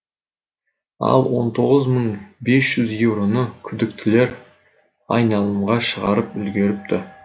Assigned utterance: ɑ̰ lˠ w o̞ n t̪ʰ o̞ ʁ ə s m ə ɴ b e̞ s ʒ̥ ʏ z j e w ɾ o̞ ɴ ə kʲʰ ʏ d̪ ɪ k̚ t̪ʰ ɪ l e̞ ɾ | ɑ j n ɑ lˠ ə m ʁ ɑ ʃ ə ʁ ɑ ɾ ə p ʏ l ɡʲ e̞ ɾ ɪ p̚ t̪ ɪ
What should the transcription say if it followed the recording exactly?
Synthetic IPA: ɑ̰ lˠ w o̞ n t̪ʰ o̞ ʁ ə z m ə ɴ b e̞ s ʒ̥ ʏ z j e w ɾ o̞ n ə kʲʰ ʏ d̪ ɪ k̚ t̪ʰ ɪ l e̞ ɾ | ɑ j n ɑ lˠ ə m ʁ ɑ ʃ ə ʁ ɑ ɾ ə p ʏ l ɡʲ e̞ ɾ ɪ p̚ t̪ ɪ